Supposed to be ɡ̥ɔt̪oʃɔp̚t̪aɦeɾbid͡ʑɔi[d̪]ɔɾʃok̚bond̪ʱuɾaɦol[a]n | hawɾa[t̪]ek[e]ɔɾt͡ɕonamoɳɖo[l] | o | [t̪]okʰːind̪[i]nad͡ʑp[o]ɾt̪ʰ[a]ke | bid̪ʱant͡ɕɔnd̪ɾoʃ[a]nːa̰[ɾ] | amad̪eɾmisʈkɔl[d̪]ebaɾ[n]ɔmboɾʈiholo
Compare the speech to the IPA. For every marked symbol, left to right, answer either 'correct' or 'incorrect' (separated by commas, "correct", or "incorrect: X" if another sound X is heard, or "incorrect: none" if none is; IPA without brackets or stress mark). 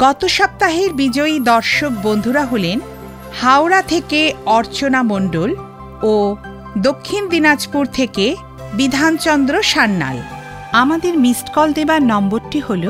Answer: correct, incorrect: e, incorrect: t̪ʰ, correct, correct, incorrect: d̪, correct, incorrect: u, incorrect: e, correct, incorrect: l, correct, correct